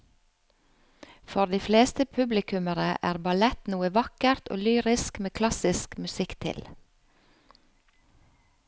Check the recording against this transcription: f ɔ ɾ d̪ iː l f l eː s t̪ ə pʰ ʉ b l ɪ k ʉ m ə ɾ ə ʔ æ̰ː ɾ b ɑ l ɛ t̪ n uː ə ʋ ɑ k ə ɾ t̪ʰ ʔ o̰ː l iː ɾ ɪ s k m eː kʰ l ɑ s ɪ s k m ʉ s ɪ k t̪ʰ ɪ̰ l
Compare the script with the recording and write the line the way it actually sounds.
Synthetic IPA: f ɔ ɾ d̪ iː f l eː s t̪ ə pʰ ʉ b l ɪ k ʉ m ə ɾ ə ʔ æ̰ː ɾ b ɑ l ɛ t̪ n uː ə ʋ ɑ k ə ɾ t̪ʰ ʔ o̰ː l yː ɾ ɪ s k m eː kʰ l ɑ s ɪ s k m ʉ s ɪ k t̪ʰ ɪ̰ l